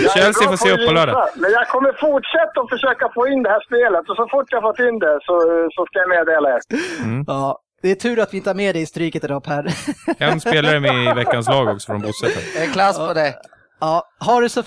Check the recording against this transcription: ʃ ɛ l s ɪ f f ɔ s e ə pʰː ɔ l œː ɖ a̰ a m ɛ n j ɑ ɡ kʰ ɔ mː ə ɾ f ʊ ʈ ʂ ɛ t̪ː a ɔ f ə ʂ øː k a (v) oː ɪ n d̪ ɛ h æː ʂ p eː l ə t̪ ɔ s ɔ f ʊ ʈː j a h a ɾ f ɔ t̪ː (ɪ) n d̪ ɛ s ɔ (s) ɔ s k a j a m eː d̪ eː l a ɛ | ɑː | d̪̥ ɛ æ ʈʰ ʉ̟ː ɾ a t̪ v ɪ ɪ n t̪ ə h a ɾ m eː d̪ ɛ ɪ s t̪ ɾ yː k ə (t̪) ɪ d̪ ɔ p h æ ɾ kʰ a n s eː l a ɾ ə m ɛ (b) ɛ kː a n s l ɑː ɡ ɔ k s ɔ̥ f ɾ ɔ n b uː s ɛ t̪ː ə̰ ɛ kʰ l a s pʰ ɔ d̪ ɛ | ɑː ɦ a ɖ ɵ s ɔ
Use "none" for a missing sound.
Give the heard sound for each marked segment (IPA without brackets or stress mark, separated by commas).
f, ɪ, s, t̪, v